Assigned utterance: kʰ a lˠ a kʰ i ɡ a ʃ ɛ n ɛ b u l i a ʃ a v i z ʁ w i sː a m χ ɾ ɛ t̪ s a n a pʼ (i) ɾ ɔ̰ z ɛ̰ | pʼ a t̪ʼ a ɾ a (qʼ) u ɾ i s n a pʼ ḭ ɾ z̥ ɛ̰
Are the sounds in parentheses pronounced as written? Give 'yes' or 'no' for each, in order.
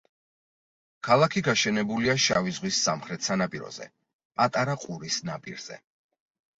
yes, yes

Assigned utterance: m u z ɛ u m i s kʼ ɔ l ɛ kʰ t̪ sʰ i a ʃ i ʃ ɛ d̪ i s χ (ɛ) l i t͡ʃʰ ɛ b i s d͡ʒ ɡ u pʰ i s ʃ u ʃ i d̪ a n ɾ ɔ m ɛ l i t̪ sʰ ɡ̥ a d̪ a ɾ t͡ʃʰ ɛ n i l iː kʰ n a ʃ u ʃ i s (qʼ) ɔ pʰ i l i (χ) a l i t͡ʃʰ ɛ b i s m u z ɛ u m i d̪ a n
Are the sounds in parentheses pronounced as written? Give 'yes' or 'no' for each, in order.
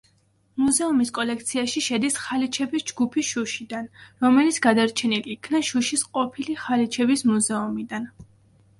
no, yes, yes

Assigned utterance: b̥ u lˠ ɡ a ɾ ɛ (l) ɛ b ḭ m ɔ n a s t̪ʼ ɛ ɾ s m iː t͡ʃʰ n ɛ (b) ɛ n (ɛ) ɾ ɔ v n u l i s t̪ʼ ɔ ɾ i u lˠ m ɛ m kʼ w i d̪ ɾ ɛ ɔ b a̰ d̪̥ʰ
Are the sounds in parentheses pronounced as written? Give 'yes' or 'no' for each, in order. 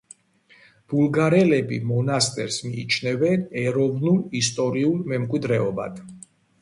yes, no, yes

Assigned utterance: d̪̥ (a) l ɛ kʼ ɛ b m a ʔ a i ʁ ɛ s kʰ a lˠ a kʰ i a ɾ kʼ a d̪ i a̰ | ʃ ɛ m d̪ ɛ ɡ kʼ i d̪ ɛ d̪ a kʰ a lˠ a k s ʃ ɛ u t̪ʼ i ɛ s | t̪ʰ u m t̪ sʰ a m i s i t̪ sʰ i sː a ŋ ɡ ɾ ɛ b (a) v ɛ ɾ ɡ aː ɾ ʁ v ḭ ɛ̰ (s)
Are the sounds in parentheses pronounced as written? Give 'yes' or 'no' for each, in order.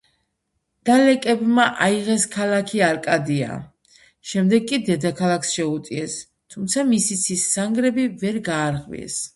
yes, no, yes

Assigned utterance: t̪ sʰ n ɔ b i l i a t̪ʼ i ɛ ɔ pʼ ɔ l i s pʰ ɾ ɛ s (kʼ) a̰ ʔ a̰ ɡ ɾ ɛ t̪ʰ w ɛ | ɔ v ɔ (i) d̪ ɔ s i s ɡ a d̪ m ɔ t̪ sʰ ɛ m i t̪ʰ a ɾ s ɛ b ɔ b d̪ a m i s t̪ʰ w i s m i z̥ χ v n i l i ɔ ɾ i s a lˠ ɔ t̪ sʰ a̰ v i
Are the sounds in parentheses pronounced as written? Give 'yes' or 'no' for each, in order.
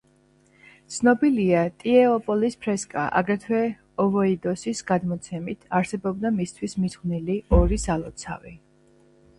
yes, yes

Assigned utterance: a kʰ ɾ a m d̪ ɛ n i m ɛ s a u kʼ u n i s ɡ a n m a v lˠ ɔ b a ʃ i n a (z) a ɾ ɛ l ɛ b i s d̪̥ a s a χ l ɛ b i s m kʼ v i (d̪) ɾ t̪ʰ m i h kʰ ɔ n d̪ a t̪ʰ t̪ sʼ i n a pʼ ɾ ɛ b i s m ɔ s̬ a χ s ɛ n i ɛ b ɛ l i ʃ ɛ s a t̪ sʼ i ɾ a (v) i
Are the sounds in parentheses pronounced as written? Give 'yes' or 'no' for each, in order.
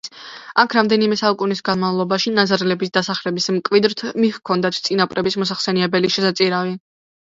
yes, yes, yes

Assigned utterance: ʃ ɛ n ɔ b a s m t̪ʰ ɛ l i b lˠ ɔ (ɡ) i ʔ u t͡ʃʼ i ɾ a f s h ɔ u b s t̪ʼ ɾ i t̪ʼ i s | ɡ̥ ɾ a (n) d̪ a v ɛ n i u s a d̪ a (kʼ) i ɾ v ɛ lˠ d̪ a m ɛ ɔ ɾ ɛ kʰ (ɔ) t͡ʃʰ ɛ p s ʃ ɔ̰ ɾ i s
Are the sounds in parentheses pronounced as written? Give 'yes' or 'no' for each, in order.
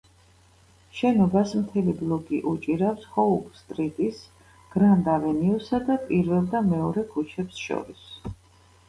yes, yes, no, no

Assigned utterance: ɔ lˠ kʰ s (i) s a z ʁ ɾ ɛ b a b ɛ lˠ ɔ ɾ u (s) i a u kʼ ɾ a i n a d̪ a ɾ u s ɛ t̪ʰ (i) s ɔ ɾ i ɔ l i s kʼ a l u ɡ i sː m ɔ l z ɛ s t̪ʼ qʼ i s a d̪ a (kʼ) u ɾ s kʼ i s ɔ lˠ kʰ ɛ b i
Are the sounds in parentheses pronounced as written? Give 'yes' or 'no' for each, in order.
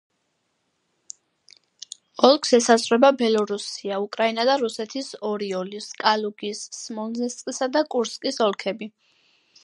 no, yes, yes, yes

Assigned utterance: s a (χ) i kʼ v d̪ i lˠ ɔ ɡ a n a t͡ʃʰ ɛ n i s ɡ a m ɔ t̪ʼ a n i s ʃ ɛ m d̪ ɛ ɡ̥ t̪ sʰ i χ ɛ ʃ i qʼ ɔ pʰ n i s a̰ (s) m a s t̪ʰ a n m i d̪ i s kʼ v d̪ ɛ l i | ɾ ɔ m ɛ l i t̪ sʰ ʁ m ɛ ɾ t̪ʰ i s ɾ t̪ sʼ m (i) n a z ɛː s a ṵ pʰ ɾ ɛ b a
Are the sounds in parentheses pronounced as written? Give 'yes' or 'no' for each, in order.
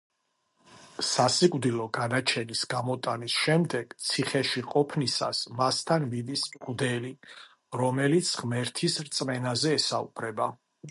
no, yes, no

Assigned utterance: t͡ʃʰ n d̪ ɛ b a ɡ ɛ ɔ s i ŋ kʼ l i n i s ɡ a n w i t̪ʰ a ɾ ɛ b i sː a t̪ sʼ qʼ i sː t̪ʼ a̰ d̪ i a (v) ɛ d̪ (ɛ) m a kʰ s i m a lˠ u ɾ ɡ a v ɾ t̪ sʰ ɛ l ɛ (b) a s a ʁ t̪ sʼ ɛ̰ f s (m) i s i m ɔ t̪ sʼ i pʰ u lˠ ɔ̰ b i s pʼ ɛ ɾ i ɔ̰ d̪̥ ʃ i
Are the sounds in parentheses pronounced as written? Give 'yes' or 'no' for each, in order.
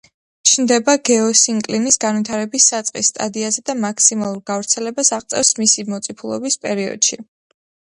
no, no, yes, yes

